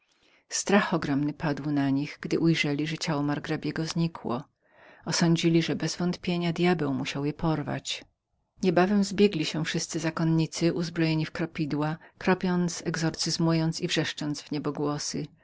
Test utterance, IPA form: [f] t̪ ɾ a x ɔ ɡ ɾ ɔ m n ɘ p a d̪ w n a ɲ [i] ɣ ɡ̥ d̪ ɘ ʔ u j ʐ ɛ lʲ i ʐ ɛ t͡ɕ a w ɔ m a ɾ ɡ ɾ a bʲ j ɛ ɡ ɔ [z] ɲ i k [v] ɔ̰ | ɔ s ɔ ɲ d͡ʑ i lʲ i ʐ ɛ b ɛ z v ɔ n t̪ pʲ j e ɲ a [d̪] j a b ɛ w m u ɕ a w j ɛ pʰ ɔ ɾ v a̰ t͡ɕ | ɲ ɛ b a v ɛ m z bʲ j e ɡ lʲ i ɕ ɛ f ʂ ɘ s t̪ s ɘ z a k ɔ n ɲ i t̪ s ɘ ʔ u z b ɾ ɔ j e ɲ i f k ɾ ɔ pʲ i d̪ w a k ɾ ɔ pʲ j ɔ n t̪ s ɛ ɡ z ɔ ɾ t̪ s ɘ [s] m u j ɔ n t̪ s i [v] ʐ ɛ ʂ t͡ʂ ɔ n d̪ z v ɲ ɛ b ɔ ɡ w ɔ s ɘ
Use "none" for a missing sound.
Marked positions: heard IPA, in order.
s, i, z, w, d̪, z, v

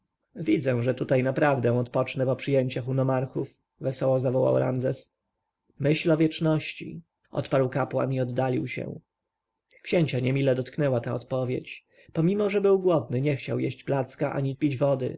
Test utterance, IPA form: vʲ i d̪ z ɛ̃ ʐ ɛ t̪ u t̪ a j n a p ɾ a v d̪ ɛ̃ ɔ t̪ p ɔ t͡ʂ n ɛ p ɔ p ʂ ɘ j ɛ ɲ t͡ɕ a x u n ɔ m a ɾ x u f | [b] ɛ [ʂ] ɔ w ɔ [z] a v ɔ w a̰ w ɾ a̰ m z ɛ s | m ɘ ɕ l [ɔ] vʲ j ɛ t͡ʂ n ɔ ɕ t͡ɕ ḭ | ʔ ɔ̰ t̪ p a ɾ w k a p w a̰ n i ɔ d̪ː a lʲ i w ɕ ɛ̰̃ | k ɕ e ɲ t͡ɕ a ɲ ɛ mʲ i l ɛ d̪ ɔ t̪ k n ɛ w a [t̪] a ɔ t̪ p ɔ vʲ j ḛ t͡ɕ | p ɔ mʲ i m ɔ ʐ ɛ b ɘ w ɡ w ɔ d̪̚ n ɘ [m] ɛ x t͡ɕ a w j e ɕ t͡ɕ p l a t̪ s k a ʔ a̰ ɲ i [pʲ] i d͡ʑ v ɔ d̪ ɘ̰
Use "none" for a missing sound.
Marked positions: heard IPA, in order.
v, s, z, ɔ, t̪, ɲ, pʲ

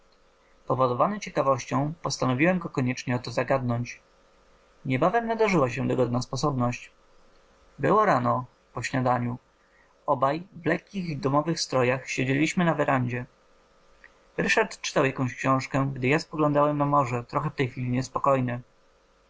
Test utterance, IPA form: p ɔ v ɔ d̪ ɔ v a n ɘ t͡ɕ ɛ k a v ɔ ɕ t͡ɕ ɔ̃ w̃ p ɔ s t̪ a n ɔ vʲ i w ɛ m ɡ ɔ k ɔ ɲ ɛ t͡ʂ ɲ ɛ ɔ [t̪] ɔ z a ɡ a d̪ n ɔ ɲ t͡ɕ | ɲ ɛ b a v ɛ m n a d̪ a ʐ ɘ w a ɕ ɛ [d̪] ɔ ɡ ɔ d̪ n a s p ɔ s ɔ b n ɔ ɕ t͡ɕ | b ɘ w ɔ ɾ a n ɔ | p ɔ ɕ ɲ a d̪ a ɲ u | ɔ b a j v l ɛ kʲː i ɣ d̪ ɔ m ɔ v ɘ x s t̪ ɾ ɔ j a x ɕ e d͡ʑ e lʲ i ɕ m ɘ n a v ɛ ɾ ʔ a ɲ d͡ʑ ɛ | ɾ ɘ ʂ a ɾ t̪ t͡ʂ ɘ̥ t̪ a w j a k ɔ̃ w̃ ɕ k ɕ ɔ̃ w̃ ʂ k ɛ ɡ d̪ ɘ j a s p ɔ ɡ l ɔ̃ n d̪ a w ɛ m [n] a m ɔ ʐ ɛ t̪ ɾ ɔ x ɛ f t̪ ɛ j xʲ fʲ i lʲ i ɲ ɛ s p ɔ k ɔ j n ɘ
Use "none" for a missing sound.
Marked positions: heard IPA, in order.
t̪, d̪, n

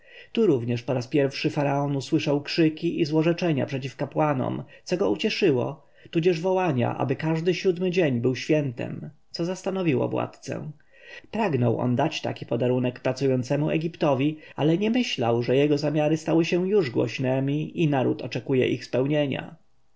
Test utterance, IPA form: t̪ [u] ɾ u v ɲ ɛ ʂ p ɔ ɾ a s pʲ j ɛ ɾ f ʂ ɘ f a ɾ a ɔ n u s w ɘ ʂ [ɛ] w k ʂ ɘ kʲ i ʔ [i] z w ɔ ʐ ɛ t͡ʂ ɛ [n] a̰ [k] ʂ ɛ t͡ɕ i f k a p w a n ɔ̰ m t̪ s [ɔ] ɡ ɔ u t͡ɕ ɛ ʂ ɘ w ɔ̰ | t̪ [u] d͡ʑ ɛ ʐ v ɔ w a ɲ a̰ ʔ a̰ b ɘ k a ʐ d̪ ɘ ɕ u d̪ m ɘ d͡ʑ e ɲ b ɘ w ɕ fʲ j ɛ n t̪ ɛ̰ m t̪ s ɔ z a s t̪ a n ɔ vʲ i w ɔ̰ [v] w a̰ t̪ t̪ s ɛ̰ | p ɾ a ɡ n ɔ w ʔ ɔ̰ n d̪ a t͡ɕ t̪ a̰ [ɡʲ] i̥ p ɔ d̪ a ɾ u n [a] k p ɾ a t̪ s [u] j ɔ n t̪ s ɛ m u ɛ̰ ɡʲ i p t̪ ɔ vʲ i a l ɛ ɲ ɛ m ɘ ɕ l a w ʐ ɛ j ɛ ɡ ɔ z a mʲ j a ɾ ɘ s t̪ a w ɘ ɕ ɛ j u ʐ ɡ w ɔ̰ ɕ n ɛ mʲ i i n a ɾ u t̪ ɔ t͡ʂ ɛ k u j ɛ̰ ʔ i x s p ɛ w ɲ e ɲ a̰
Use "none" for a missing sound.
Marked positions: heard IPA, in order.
u, a, i, ɲ, p, ɔ, u, v, kʲ, ɛ, u

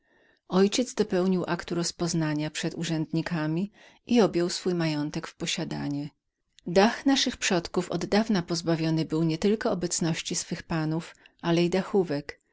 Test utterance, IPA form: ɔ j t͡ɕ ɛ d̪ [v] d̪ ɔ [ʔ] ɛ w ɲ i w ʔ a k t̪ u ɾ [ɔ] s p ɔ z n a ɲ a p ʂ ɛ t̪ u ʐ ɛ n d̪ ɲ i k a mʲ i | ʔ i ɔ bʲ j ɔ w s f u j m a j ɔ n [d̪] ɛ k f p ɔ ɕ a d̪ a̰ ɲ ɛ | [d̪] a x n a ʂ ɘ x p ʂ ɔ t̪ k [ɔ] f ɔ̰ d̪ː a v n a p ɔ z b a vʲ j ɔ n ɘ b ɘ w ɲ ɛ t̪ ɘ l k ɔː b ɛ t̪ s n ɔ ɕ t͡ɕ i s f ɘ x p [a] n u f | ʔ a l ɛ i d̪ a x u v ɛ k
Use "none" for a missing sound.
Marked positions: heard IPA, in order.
z, p, ɔ, t̪, d̪, u, a

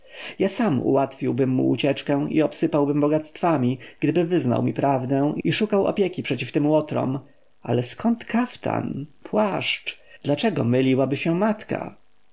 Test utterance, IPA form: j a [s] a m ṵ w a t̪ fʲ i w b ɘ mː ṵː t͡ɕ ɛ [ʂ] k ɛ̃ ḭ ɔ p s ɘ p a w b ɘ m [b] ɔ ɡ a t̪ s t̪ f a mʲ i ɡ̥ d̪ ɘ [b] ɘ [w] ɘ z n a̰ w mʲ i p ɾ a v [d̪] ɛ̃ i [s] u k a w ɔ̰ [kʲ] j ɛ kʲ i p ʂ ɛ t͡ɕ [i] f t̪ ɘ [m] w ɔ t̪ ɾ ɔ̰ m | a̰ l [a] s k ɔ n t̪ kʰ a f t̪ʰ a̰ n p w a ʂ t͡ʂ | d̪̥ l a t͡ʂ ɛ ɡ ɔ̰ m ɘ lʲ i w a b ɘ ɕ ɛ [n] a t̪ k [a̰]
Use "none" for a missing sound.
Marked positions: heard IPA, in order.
s, t͡ʂ, b, b, v, d̪, ʂ, pʲ, i, m, ɛ, m, a̰

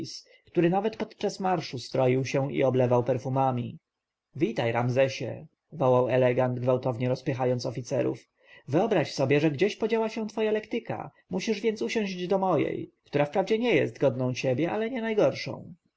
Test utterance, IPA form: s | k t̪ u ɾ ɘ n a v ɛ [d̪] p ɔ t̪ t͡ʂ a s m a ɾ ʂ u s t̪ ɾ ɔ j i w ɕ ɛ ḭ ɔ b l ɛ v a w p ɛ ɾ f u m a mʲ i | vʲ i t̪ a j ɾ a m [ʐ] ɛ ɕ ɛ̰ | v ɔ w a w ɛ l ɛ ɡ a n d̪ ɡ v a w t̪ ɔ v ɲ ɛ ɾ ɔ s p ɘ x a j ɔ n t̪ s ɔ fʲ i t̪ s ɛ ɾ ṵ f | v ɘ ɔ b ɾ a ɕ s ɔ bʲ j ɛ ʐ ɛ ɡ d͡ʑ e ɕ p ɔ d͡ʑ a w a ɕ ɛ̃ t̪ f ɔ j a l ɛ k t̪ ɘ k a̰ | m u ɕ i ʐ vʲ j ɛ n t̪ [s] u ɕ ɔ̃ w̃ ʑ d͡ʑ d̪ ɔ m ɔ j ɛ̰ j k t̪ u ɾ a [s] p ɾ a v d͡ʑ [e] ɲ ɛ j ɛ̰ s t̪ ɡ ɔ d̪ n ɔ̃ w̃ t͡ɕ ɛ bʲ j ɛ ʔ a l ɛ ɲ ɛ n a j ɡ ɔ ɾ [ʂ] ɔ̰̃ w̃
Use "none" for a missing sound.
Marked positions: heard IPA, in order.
t̪, z, s, f, ɛ, ʂ

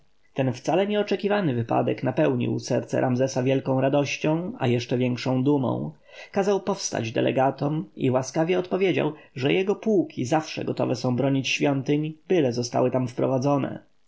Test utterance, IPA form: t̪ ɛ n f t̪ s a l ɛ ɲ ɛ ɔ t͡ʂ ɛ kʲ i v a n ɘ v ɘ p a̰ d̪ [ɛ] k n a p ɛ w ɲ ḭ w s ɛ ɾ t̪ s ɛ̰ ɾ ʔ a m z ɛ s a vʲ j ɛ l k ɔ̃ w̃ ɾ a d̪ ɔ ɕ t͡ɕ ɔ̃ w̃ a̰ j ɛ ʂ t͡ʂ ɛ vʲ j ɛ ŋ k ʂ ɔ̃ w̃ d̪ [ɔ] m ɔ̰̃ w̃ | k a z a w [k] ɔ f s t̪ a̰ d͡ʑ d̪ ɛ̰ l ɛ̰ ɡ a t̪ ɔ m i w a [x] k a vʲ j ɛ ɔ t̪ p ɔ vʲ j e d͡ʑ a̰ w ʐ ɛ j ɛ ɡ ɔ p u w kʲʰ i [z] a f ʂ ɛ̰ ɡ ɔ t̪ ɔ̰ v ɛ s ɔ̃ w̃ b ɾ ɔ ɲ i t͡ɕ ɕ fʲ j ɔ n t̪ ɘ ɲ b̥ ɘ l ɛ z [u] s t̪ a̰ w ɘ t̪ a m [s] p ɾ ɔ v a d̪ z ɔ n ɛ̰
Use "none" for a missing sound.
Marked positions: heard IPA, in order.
ɛ, u, p, s, z, ɔ, f

